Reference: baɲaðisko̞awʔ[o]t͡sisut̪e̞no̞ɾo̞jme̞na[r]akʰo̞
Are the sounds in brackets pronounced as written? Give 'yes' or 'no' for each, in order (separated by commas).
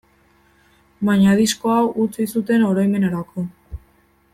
no, no